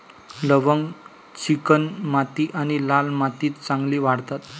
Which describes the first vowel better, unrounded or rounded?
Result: unrounded